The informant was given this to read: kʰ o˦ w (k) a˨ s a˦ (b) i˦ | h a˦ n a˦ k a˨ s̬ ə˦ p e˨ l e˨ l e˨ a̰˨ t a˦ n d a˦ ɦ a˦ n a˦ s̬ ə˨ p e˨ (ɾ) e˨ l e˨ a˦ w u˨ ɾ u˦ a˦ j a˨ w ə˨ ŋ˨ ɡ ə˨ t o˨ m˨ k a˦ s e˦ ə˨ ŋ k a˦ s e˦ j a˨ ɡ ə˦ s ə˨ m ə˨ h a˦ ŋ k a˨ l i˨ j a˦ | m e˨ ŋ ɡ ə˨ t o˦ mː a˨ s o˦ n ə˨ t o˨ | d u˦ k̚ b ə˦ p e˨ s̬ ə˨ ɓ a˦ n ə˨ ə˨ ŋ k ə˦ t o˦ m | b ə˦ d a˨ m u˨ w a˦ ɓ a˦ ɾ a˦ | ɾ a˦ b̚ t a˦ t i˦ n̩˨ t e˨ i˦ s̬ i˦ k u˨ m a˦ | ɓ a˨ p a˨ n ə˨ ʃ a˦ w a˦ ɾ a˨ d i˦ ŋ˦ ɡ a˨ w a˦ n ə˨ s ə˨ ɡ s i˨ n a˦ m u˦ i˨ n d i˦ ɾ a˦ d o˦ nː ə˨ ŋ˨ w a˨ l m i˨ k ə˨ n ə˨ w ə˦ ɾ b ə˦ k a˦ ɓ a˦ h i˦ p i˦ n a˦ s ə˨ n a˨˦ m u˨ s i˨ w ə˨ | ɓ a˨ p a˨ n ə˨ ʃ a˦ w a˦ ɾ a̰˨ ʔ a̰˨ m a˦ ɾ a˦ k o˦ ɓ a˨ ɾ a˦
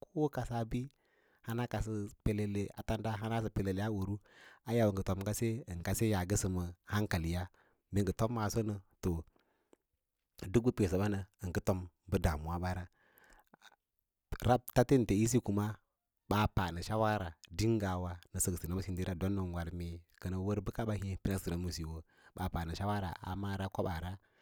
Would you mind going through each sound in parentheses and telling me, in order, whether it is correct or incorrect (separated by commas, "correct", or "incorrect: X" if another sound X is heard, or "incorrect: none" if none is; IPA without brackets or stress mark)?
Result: correct, correct, incorrect: l